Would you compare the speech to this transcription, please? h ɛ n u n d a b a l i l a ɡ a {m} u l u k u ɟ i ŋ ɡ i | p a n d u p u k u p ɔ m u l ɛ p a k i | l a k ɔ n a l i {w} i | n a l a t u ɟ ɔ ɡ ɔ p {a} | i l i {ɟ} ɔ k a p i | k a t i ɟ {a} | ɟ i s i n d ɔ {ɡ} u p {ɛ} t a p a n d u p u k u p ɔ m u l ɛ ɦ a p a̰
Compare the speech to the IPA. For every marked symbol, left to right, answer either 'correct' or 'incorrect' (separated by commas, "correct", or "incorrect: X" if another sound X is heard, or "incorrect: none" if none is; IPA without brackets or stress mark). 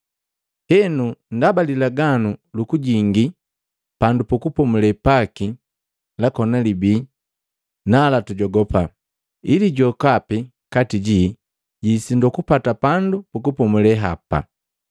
incorrect: n, incorrect: b, correct, correct, incorrect: i, incorrect: k, incorrect: a